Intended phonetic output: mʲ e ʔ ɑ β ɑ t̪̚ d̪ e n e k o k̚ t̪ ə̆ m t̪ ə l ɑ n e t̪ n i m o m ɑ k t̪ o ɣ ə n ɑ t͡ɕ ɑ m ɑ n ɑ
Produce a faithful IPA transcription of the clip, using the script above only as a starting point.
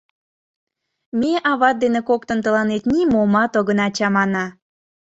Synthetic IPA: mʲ e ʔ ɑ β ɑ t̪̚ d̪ e n e k o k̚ t̪ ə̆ n t̪ ə l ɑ n e t̪ n i m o m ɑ t̪ o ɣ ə n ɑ t͡ɕ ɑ m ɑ n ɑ